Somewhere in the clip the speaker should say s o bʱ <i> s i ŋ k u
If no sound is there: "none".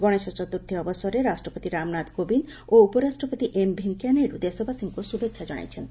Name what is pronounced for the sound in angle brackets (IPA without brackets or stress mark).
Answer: a